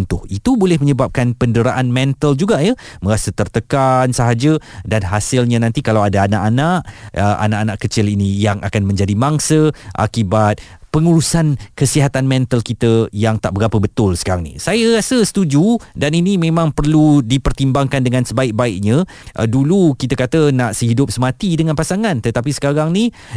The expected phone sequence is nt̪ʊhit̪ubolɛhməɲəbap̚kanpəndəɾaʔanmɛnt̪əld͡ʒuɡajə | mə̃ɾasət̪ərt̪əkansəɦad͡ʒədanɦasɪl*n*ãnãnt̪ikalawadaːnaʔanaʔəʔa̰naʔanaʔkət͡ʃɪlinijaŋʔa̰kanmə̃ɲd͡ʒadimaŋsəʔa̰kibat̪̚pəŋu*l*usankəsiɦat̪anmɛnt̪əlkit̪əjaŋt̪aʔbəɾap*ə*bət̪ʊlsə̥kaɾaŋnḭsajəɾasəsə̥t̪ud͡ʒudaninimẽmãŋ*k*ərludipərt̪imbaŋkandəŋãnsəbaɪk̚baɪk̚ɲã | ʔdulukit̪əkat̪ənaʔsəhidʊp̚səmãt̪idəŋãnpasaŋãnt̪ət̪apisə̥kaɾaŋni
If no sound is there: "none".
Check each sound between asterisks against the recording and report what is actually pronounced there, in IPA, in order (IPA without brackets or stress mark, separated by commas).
ɲ, ɾ, ə, p